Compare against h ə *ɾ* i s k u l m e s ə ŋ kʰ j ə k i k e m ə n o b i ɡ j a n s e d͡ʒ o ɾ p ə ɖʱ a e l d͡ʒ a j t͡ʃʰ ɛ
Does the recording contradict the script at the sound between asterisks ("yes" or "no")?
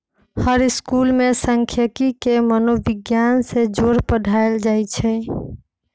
no